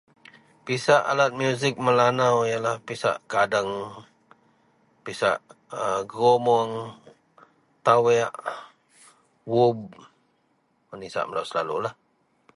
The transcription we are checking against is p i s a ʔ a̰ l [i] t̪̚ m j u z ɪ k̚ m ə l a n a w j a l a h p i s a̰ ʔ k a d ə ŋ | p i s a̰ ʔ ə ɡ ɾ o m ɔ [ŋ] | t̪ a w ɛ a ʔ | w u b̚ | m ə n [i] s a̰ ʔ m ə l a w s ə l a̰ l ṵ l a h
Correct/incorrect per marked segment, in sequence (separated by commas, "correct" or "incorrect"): incorrect, correct, correct